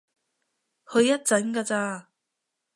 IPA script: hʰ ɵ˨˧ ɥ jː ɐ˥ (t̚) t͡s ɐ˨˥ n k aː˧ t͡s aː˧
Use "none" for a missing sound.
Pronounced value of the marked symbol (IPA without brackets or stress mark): t̚